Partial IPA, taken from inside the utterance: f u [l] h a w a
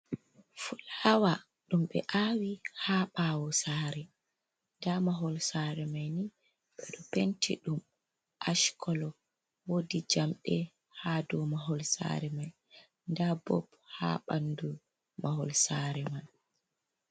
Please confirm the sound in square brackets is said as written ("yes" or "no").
yes